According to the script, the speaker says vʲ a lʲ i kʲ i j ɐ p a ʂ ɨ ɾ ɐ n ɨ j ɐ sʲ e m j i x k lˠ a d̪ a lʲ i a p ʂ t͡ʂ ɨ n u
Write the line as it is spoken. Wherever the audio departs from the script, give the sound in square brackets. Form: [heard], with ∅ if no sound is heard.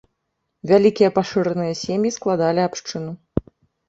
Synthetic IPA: vʲ a lʲ i kʲ i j ɐ p a ʂ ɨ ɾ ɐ n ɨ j ɐ sʲ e m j i [s] k lˠ a d̪ a lʲ i a p ʂ t͡ʂ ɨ n u